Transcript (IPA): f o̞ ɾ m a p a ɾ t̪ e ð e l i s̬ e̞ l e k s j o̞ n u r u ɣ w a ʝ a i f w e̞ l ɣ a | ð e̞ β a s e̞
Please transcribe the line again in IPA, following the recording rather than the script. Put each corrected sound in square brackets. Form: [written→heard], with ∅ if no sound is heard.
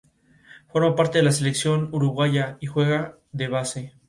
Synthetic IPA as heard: f o̞ ɾ m a p a ɾ t̪ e ð e l [i→a] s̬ e̞ l e k s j o̞ n u [r→ɾ] u ɣ w a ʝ a i [f→x] w e̞ [l→∅] ɣ a | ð e̞ β a s e̞